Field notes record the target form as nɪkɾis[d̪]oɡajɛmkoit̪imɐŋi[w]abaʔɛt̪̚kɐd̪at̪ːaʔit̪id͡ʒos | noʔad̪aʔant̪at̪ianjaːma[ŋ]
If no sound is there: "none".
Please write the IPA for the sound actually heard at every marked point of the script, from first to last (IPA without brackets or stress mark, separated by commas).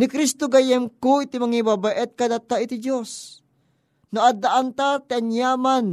t̪, b, n